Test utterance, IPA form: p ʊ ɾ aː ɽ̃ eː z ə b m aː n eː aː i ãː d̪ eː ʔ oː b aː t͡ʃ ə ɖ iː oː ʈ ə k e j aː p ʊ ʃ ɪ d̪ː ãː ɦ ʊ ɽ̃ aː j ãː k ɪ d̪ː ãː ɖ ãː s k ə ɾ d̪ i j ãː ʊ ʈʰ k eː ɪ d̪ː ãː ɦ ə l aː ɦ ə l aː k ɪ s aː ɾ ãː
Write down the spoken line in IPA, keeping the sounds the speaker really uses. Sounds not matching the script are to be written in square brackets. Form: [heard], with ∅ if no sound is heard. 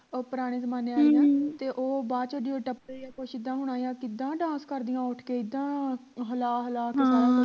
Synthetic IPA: p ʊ ɾ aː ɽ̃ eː z ə [∅] m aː n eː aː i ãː [t̪] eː ʔ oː b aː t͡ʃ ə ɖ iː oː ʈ ə [p] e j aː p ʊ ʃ ɪ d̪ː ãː ɦ ʊ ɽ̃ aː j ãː k ɪ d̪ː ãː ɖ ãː s k ə ɾ d̪ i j ãː ʊ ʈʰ k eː ɪ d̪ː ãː ɦ ə l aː ɦ ə l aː k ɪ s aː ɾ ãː